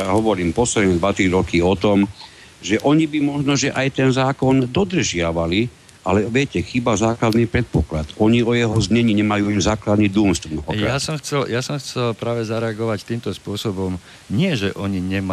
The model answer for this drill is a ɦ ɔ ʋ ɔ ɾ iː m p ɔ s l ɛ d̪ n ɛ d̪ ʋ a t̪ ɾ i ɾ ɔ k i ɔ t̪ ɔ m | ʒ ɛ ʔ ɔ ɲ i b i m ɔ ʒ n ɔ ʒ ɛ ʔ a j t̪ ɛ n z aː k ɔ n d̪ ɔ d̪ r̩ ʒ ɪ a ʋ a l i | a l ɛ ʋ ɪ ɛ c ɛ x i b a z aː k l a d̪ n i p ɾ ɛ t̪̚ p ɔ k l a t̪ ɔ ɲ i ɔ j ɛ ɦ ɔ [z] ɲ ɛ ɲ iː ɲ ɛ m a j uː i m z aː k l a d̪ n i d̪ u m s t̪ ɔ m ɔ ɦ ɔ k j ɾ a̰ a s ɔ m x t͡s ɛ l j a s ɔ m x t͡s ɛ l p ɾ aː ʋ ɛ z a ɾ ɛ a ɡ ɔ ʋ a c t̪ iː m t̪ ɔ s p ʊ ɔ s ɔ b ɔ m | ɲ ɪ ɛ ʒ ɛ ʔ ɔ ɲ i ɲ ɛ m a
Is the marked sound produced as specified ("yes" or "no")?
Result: yes